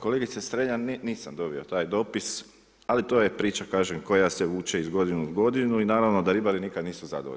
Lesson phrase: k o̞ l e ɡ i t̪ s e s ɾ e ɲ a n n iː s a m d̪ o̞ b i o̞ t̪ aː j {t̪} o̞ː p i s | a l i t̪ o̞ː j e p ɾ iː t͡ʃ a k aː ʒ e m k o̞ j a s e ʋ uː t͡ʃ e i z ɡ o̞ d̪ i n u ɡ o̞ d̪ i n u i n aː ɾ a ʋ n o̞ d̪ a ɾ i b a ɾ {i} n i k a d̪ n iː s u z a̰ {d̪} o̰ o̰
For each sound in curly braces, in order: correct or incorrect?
incorrect: d̪, correct, correct

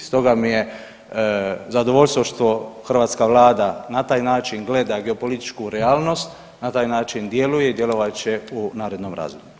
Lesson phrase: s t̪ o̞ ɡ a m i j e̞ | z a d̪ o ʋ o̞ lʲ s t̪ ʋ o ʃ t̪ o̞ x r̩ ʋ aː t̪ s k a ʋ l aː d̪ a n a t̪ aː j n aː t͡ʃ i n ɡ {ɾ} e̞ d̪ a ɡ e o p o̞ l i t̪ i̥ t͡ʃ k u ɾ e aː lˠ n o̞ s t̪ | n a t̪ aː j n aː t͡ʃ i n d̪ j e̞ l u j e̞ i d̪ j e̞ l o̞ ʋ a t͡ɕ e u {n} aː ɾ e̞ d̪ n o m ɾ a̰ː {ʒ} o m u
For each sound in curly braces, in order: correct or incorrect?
incorrect: l, correct, incorrect: z

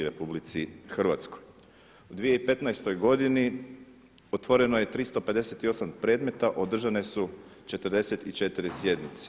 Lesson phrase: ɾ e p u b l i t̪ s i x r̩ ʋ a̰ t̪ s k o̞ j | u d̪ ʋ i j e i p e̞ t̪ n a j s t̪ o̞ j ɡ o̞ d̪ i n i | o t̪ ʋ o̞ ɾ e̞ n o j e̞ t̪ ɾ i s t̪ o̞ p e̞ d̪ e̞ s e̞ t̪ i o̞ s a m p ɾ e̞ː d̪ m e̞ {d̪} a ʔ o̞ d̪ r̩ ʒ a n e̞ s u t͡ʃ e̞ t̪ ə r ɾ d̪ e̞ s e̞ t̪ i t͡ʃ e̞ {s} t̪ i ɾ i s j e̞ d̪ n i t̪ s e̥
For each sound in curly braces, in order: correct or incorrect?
incorrect: t̪, incorrect: none

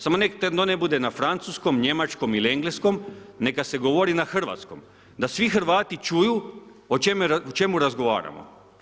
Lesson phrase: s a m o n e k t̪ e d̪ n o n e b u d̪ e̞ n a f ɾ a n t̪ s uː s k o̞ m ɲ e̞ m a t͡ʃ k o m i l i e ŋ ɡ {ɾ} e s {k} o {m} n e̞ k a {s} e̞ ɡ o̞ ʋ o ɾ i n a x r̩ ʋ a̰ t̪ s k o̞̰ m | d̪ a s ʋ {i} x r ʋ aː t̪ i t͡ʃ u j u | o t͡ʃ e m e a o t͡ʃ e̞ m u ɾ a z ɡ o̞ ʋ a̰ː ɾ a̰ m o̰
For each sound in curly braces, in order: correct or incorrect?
incorrect: l, correct, correct, correct, correct

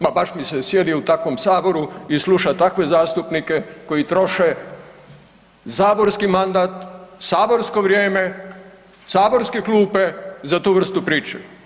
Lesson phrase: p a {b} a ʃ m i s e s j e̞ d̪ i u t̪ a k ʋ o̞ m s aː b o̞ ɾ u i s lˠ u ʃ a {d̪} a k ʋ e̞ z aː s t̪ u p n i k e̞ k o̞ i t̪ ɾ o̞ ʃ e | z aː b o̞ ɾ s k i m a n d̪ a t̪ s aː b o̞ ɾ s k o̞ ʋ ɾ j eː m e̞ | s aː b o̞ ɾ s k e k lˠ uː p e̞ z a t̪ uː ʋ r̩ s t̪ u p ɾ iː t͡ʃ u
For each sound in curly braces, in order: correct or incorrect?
correct, incorrect: t̪

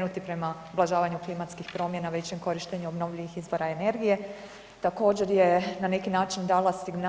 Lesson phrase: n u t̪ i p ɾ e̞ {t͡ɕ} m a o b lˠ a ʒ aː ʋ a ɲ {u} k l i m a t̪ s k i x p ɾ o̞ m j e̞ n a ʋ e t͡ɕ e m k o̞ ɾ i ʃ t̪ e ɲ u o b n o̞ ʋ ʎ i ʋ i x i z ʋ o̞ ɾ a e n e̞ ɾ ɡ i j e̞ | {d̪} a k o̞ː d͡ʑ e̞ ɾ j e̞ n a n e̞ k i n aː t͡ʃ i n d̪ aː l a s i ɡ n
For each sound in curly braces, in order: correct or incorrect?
incorrect: none, correct, incorrect: t̪

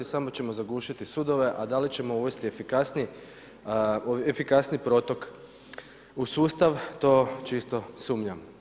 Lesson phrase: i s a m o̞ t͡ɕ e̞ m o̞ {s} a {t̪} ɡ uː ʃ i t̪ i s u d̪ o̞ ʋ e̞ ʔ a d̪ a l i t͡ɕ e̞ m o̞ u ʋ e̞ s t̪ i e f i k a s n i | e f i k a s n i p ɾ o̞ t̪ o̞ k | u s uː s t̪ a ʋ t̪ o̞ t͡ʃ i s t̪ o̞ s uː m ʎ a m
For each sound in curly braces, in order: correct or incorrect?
incorrect: z, incorrect: none

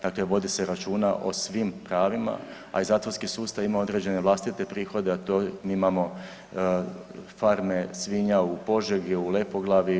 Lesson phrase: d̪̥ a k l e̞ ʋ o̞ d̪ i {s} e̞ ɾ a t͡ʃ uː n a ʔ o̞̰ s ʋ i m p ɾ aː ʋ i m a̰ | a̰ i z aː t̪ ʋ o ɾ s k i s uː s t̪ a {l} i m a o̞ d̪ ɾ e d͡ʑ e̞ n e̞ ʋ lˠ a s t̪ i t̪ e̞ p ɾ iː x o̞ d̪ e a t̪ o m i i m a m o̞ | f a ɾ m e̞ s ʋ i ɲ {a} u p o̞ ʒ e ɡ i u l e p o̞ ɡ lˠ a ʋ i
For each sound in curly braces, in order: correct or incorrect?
correct, incorrect: none, correct

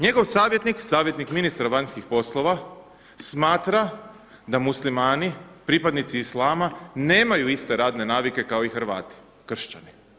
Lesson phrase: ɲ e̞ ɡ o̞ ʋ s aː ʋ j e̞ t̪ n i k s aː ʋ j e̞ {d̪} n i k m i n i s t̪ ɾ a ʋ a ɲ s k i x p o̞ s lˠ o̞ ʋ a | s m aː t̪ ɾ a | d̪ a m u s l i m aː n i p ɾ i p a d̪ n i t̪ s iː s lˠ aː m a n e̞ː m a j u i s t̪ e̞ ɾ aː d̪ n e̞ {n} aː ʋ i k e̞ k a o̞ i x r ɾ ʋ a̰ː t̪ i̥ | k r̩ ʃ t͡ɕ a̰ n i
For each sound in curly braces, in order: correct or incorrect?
incorrect: t̪, correct

